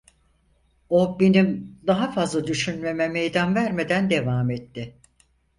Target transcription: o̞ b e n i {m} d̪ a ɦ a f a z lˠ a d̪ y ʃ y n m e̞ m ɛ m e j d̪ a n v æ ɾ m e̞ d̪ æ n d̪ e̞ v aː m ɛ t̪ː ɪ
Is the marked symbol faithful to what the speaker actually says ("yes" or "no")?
yes